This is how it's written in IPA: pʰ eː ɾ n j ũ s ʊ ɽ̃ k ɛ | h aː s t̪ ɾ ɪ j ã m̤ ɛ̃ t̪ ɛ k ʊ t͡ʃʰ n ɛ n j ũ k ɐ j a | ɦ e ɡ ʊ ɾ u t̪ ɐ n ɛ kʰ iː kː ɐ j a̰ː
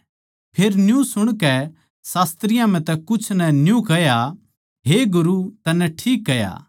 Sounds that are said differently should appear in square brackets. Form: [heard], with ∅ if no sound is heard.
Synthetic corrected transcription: pʰ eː ɾ n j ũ s ʊ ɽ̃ k ɛ | [s] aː s t̪ ɾ ɪ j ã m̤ ɛ̃ t̪ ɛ k ʊ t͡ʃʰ n ɛ n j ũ k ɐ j a | ɦ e ɡ ʊ ɾ u t̪ ɐ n ɛ [ʈʰ] iː kː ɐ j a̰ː